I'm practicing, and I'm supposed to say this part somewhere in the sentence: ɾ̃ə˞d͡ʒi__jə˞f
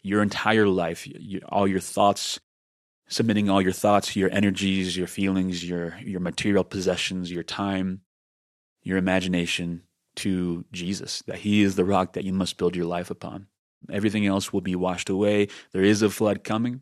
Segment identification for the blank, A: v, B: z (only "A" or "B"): B